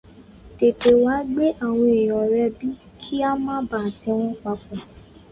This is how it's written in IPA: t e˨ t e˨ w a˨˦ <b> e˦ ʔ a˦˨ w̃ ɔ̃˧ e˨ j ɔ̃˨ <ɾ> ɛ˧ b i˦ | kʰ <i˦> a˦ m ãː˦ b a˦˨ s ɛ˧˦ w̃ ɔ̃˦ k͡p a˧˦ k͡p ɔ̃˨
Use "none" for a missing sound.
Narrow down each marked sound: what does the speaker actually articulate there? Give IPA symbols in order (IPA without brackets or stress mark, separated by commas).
ɡ͡b, ɾ, i˦